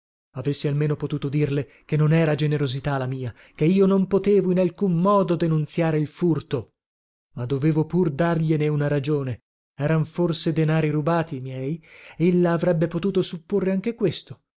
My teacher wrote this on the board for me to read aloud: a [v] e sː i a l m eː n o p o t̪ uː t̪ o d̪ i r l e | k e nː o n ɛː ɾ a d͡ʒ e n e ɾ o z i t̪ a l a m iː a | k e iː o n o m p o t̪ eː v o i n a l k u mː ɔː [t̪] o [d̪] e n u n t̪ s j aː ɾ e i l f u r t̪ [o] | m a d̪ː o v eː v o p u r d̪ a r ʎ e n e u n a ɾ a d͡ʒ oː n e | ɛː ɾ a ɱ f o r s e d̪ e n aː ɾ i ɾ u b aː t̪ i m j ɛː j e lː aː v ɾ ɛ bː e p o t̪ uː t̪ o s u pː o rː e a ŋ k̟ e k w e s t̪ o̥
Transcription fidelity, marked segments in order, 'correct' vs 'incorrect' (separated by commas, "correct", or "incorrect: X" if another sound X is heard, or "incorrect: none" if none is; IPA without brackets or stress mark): correct, incorrect: d̪, correct, correct